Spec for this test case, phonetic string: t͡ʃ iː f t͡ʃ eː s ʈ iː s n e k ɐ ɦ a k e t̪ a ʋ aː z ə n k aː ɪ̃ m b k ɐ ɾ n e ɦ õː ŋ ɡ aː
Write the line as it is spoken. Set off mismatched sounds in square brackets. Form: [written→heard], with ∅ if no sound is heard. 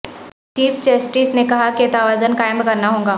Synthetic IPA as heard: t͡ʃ iː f t͡ʃ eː s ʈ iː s n e k ɐ ɦ a k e t̪ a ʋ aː z ə n k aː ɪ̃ m b k ɐ ɾ n [e→a] ɦ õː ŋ ɡ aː

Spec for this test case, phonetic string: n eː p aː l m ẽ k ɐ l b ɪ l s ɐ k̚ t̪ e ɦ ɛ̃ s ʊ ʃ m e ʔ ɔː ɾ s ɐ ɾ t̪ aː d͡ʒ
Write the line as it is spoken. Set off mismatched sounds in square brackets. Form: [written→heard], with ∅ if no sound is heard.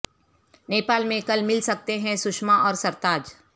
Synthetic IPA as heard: n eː p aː l m ẽ k ɐ l [b→m] ɪ l s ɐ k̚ t̪ e ɦ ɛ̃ s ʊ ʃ m [e→a] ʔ ɔː ɾ s ɐ ɾ t̪ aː d͡ʒ

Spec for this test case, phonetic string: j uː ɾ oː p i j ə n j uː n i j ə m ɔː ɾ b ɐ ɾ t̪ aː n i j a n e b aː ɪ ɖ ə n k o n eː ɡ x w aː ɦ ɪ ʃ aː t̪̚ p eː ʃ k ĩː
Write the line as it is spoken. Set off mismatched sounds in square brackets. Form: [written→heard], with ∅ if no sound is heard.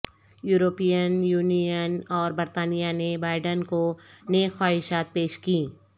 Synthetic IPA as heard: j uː ɾ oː p i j ə n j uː n i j ə [m→n] ɔː ɾ b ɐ ɾ t̪ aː n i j a n e b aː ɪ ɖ ə n k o n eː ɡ x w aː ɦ ɪ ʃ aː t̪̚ p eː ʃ k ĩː

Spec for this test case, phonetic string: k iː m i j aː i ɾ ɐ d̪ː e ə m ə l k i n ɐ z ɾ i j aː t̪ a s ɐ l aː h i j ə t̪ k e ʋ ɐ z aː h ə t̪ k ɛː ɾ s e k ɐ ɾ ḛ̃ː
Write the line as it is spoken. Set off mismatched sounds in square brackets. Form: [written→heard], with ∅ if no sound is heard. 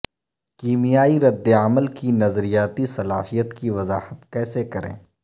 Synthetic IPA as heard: k iː m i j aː i ɾ ɐ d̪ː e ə m ə l k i n ɐ z ɾ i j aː t̪ [a→i] s ɐ l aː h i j ə t̪ k [e→i] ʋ ɐ z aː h ə t̪ k ɛː [ɾ→∅] s e k ɐ ɾ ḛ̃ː

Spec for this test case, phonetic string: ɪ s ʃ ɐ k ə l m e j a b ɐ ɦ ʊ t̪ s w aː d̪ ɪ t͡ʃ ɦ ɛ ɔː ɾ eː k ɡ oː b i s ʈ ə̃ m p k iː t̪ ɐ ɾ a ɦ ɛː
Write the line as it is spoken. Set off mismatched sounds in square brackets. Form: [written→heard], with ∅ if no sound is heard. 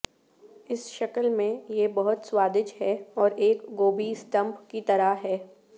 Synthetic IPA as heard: ɪ s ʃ ɐ k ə l m [e→ẽ] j [a→e] b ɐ ɦ ʊ t̪ s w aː d̪ ɪ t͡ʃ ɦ ɛ ɔː ɾ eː k ɡ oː b i s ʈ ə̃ m p k [iː→i] t̪ ɐ ɾ a ɦ ɛː

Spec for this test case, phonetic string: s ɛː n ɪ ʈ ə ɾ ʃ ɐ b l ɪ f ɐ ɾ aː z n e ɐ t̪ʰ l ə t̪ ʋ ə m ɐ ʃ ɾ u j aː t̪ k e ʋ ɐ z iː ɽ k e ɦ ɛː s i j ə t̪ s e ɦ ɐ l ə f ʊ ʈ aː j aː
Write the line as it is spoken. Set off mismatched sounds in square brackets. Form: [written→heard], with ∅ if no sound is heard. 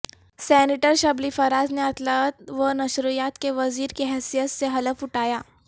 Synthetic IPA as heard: s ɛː n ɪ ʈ ə ɾ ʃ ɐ b l [ɪ→i] f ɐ ɾ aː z n e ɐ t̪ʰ l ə t̪ ʋ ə [m→n] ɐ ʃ ɾ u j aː t̪ k e ʋ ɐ z iː [ɽ→ɾ] k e ɦ ɛː s i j ə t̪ s e ɦ ɐ l ə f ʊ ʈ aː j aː

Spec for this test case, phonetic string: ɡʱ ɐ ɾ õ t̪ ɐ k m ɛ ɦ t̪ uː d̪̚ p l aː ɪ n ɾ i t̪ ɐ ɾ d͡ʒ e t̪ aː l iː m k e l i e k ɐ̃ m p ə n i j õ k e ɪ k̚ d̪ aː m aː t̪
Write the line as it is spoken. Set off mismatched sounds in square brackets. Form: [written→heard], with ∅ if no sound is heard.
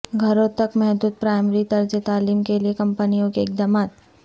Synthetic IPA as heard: ɡʱ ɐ ɾ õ t̪ ɐ k m ɛ ɦ [t̪→d̪] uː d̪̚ p [l→ɾ] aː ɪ [n→m] ɾ i t̪ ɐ ɾ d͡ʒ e t̪ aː l iː m k e l i e k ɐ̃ m p ə n i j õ k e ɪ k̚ d̪ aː m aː t̪

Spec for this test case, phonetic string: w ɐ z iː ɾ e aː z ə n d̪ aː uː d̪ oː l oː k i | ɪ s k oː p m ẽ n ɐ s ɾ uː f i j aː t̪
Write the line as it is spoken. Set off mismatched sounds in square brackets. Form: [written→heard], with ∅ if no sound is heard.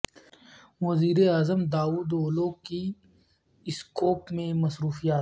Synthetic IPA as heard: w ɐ z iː ɾ e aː z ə [n→m] d̪ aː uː d̪ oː l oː k i | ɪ s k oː p m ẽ [n→m] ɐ s ɾ uː f i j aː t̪

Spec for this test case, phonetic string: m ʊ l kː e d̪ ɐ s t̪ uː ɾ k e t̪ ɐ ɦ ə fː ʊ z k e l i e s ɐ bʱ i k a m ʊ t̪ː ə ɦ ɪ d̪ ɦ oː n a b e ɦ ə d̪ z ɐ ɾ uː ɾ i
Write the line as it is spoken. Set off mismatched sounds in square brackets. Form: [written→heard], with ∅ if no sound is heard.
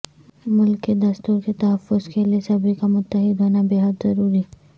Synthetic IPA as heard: m ʊ l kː e d̪ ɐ s t̪ uː ɾ k e t̪ ɐ ɦ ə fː ʊ z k e l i e s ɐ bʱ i k a m ʊ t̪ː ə ɦ ɪ d̪ ɦ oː n a b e ɦ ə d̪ z ɐ ɾ uː ɾ i

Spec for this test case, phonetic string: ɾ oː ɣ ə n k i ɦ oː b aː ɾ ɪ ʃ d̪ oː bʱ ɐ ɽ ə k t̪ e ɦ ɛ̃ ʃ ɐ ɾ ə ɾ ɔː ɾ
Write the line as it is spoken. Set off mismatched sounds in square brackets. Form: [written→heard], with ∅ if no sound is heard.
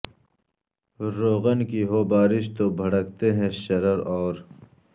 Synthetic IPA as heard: ɾ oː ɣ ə n k i ɦ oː b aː ɾ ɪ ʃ [d̪→t̪] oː bʱ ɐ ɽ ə k t̪ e ɦ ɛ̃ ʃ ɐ ɾ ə ɾ ɔː ɾ

